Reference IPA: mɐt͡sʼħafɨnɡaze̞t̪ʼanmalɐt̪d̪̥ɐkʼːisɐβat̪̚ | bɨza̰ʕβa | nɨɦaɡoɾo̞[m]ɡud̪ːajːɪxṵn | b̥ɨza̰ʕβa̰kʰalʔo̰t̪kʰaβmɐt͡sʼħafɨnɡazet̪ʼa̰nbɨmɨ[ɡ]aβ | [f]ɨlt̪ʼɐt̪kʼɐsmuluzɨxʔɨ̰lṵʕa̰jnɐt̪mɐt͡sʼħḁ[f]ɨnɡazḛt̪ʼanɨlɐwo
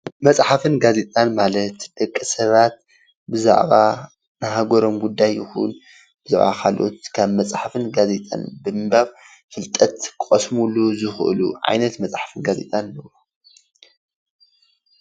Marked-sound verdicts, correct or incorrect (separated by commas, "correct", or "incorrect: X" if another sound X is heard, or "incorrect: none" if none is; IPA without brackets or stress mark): correct, incorrect: b, correct, correct